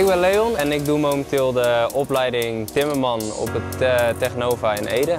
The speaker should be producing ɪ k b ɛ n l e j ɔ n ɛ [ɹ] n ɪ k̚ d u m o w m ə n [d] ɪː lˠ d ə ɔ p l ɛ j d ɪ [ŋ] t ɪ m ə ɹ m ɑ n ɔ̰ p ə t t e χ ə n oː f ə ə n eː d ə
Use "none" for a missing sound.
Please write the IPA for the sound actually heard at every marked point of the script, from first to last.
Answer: none, t, ŋ

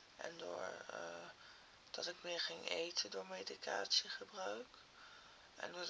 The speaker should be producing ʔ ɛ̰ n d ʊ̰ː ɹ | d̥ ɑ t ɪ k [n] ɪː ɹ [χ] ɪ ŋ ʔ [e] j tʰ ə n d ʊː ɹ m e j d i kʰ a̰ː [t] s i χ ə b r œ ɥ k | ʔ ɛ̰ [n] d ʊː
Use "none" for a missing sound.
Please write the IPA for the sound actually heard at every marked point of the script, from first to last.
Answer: m, χ, e, t, n

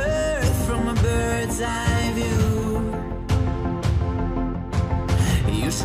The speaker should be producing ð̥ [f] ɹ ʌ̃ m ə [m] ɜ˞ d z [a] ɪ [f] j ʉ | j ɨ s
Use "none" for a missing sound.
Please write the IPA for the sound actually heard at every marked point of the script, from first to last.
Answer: f, b, a, v

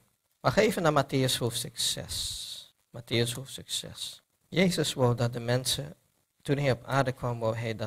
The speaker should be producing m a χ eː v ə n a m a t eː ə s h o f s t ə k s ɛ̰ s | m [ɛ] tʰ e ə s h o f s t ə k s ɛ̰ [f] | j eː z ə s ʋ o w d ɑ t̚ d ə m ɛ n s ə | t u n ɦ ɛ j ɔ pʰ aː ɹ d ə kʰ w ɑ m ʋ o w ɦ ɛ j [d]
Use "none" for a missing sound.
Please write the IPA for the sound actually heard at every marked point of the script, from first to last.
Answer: a, s, d

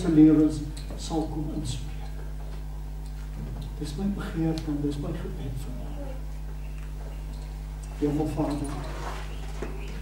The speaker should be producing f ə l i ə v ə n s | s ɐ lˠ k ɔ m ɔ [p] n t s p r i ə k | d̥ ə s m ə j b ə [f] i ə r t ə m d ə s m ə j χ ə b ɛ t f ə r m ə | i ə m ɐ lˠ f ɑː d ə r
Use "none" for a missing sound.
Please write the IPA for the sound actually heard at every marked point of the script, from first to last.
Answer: none, χ

